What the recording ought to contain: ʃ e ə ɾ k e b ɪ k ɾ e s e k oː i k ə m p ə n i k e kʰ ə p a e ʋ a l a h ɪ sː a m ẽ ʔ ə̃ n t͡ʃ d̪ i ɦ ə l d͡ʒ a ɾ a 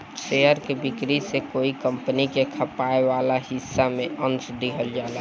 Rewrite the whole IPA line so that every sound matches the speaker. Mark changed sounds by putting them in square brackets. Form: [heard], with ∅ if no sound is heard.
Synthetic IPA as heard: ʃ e ə ɾ k e b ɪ k ɾ [i] s e k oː i k ə m p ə n i k e kʰ ə p a e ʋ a l a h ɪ sː a m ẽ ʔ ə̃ n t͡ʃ d̪ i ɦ ə l d͡ʒ a [l] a

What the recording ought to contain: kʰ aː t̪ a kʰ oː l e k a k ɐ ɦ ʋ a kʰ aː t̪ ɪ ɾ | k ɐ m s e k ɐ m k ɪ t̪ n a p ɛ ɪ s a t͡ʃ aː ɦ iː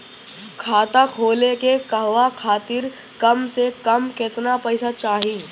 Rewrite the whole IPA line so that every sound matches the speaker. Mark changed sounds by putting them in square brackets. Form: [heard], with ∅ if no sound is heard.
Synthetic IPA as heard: kʰ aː t̪ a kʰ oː l e k [e] k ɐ ɦ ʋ a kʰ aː t̪ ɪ ɾ | k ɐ m s e k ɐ m k ɪ t̪ n a p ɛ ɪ s a t͡ʃ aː ɦ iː

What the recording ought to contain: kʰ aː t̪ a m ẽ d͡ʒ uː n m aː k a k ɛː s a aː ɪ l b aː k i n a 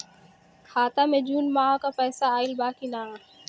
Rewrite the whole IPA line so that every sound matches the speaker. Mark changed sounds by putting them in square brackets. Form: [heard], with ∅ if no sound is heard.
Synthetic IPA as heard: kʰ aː t̪ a m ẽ d͡ʒ uː n m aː k a [p] ɛː s a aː ɪ l b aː k i n a

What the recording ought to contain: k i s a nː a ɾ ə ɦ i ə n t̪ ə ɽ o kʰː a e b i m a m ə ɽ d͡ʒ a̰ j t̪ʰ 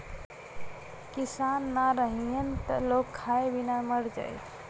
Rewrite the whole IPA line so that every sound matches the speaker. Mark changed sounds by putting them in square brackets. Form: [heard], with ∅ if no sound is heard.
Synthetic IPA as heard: k i s a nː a ɾ ə ɦ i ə n t̪ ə [l] o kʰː a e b i [n] a m ə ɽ d͡ʒ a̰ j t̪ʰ

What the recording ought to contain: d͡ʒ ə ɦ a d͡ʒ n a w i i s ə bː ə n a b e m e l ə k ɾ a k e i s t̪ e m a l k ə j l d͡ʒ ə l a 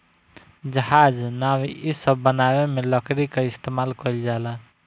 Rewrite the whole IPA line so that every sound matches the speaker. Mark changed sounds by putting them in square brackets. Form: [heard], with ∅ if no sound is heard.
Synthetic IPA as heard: d͡ʒ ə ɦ a d͡ʒ n a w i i s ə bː ə n a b e m e l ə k ɾ [i] k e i s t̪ e m a l k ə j l d͡ʒ [a] l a

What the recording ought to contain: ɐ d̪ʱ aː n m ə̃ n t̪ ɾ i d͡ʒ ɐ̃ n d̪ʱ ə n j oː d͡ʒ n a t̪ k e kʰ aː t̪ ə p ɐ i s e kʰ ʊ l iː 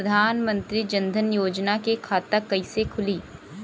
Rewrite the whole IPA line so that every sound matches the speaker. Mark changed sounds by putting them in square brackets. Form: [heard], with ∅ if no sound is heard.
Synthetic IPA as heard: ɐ d̪ʱ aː n m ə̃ n t̪ ɾ i d͡ʒ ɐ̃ n d̪ʱ ə n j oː d͡ʒ n a [∅] k e kʰ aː t̪ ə [k] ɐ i s e kʰ ʊ l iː

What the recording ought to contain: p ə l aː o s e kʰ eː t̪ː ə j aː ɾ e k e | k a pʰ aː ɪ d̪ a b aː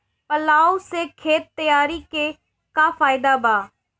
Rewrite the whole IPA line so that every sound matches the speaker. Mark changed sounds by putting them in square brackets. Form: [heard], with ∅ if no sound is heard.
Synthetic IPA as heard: p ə l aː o s e kʰ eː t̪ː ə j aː ɾ [i] k e | k a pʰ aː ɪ d̪ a b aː

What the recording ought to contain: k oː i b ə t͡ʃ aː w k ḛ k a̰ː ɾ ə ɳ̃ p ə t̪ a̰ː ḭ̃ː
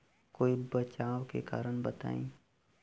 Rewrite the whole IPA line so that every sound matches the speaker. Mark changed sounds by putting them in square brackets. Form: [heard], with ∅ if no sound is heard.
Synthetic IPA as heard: k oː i b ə t͡ʃ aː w k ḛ k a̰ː ɾ ə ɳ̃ [b] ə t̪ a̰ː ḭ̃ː

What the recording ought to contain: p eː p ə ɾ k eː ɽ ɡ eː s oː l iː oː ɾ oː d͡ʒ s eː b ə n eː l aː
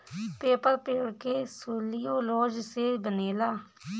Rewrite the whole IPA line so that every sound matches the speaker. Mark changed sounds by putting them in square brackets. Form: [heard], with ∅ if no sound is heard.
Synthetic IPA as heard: p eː p ə ɾ [p] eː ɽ [k] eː s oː l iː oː [l] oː d͡ʒ s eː b ə n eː l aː

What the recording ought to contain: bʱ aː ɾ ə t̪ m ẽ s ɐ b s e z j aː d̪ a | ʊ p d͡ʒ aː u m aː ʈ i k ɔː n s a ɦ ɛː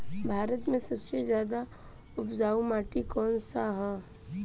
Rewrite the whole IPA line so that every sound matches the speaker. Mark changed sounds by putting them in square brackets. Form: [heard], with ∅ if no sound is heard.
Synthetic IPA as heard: bʱ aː ɾ ə t̪ m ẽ s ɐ b s e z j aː d̪ a | ʊ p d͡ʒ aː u m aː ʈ i k ɔː n s a ɦ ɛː

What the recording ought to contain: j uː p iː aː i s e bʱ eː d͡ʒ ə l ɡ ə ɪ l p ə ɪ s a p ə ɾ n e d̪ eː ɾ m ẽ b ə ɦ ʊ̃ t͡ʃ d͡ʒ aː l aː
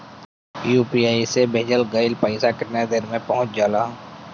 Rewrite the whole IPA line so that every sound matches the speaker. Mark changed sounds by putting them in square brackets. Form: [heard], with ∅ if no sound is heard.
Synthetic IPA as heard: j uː p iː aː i s e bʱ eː d͡ʒ ə l ɡ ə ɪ l p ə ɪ s a [k] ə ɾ n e d̪ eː ɾ m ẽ [p] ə ɦ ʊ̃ t͡ʃ d͡ʒ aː l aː

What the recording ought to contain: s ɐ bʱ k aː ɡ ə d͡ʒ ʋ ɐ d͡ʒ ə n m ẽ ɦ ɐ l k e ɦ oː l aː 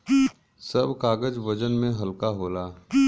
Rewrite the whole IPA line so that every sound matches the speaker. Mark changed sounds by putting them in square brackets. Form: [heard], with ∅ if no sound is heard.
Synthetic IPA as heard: s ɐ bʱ k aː ɡ ə d͡ʒ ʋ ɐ d͡ʒ ə n m ẽ ɦ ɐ l k [a] ɦ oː l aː

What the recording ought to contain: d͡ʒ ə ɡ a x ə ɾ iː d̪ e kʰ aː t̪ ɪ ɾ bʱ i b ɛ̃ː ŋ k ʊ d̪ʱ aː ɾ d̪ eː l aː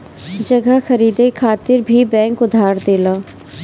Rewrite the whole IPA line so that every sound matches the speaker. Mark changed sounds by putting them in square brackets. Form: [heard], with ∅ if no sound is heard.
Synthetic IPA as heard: d͡ʒ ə ɡ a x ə ɾ iː d̪ e kʰ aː t̪ ɪ ɾ bʱ i b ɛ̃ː ŋ k ʊ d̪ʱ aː ɾ d̪ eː l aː

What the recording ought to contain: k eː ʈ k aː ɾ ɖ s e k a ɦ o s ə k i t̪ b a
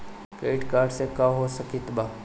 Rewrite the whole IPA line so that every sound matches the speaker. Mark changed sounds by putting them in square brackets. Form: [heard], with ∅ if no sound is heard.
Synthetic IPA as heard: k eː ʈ k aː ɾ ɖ s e k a ɦ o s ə k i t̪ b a

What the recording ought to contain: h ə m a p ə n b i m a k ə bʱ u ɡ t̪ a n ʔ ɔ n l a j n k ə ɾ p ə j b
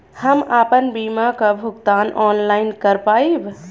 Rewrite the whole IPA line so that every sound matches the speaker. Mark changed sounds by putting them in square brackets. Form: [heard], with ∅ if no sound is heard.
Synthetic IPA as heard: h ə m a p ə n b i m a k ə bʱ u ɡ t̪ a n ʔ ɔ n l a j n k ə ɾ p [a] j b

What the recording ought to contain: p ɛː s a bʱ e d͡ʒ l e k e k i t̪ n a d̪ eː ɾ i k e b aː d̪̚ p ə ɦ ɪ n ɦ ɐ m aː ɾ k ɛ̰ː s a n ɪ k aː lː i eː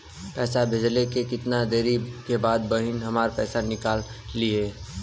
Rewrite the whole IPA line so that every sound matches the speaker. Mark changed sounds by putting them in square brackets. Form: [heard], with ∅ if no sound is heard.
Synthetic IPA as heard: p ɛː s a bʱ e d͡ʒ l e k e k [ɪ] t̪ n a d̪ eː ɾ i k e b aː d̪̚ [b] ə ɦ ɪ n ɦ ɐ m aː ɾ [p] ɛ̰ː s a n ɪ k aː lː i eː

